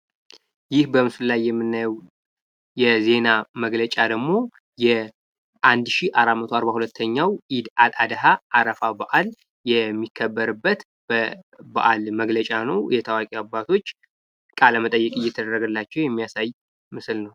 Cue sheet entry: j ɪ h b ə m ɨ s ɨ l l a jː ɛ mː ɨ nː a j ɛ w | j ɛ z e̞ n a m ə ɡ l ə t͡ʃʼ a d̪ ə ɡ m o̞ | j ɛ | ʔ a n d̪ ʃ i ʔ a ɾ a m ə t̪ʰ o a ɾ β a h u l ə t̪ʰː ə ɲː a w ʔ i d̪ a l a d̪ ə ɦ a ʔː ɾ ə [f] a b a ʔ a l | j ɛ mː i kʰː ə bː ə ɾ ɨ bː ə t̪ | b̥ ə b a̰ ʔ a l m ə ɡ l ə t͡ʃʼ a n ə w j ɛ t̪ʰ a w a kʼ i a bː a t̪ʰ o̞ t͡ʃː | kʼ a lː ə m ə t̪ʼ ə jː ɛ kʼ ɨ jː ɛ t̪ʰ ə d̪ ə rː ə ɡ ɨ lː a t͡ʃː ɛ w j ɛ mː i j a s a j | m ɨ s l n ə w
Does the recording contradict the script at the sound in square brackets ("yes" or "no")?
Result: no